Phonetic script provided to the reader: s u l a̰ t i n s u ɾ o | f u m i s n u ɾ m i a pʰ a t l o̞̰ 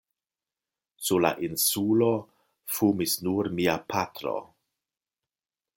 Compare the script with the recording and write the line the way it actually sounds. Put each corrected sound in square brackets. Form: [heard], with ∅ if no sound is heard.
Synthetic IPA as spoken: s u l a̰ [ʔ] i n s u [l] o | f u m i s n u ɾ m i a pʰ a t [ɾ] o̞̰